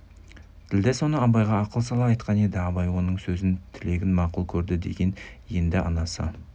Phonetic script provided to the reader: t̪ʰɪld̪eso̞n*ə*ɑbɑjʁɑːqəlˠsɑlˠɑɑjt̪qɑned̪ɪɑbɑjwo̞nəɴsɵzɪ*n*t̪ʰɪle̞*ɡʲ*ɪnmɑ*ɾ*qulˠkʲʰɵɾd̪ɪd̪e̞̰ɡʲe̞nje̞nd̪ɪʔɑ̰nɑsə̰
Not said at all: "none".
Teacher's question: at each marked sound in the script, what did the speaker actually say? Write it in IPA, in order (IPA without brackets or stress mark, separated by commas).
ə, n, ɡʲ, none